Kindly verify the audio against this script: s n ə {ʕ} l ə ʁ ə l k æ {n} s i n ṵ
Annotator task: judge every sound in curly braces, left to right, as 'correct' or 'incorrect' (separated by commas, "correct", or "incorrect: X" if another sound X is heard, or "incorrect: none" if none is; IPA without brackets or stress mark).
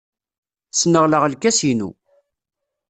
incorrect: ʁ, incorrect: none